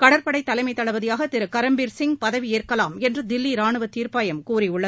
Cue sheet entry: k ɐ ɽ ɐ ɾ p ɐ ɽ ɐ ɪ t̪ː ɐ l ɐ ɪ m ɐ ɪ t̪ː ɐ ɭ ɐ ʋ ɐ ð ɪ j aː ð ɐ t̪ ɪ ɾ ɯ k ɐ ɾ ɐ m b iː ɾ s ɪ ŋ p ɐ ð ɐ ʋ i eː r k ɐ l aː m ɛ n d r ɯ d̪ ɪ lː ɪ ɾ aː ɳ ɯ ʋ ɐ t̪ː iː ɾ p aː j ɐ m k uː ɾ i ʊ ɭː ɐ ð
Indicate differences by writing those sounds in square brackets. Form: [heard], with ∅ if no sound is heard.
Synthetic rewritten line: k ɐ ɽ ɐ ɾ p ɐ ɽ ɐ ɪ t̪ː ɐ l ɐ ɪ m ɐ ɪ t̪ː ɐ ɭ ɐ ʋ ɐ ð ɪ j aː [ɣ] ɐ t̪ ɪ ɾ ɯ k ɐ ɾ ɐ m b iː ɾ s ɪ ŋ p ɐ ð ɐ ʋ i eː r k ɐ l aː m ɛ n d r ɯ d̪ ɪ lː [i] ɾ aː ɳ ɯ ʋ ɐ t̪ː iː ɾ p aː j ɐ m k uː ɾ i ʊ ɭː ɐ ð